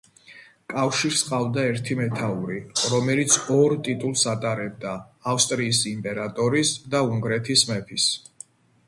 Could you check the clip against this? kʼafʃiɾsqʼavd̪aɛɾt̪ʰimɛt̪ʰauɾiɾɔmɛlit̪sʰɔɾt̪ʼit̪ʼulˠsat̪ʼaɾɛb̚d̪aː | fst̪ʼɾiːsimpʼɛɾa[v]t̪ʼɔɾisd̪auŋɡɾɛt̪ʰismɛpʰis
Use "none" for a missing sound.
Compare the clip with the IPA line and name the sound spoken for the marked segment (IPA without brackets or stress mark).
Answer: none